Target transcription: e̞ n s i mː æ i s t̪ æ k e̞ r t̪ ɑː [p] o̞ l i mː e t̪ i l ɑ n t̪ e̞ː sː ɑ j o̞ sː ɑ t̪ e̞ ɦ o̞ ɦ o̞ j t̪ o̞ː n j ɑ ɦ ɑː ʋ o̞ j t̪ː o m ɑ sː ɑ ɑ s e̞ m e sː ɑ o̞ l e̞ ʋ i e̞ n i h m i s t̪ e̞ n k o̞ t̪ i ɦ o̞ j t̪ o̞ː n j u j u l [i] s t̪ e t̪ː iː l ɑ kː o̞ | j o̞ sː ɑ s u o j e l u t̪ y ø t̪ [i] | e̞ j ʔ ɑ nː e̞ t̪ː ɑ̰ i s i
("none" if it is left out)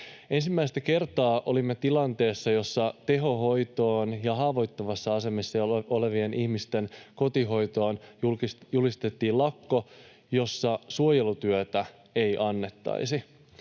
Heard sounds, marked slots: ʔ, i, æ

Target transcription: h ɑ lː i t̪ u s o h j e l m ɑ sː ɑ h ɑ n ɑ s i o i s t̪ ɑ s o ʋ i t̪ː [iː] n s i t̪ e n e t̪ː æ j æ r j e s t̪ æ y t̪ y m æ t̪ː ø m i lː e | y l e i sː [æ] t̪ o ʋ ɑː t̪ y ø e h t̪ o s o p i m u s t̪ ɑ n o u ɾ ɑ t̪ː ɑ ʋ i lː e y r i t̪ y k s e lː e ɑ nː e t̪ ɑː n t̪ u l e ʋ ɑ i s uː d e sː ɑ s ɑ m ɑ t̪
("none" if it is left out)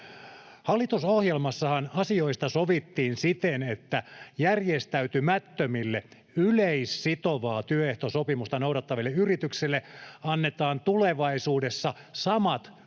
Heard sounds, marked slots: iː, i

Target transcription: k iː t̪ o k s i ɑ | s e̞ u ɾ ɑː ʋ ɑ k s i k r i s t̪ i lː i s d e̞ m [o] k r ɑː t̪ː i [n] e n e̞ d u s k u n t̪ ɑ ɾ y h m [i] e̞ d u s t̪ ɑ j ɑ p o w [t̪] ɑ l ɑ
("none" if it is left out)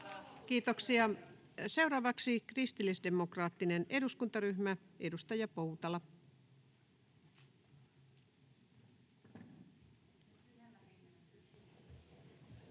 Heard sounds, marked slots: o, n, æ, t̪

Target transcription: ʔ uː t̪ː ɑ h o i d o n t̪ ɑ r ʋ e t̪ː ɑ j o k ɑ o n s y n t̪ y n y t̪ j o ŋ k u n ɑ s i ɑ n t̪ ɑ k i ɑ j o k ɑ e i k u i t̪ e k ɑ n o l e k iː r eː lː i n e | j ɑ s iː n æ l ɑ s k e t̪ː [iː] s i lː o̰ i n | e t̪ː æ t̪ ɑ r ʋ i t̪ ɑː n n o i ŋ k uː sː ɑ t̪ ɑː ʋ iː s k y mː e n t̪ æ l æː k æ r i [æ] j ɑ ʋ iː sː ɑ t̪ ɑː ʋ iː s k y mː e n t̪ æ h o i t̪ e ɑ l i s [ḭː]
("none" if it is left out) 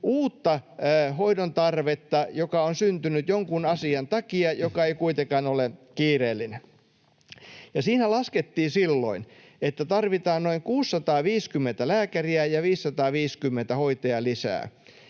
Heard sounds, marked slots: iː, æ, æ̰ː

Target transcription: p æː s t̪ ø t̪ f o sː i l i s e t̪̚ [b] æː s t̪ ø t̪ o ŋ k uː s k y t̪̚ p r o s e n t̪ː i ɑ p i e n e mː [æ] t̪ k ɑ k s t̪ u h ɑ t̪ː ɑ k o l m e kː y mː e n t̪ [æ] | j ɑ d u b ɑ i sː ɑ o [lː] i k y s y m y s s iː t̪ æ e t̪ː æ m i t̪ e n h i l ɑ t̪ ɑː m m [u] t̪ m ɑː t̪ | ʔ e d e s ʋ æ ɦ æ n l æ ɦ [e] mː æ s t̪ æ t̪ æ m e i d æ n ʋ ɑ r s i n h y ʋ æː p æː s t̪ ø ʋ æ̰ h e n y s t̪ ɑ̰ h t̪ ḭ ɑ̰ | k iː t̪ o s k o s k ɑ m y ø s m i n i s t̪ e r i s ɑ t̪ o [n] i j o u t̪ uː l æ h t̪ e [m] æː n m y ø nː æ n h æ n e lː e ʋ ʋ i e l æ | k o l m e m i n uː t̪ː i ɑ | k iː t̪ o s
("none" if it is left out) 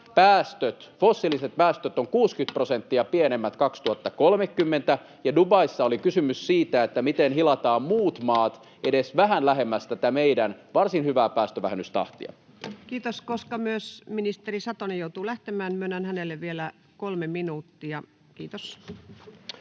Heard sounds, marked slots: p, æ, æ, l, uː, e, n, m

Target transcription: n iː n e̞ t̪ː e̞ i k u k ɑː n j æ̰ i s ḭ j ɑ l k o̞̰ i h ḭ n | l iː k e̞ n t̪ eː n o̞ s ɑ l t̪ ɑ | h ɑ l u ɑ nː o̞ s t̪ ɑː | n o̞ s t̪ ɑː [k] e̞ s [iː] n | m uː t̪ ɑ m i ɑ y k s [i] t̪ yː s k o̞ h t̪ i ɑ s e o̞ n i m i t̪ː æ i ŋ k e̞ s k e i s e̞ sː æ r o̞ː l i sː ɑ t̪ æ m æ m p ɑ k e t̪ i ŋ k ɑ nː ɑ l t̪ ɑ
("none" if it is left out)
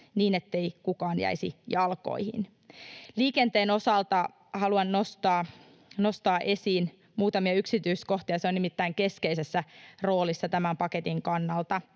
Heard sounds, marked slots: ʔ, iː, i

